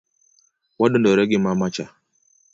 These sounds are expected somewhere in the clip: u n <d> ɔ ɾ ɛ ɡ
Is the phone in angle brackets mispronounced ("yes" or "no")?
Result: no